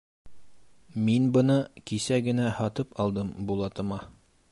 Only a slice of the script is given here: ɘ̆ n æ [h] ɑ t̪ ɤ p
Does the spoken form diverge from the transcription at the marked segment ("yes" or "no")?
no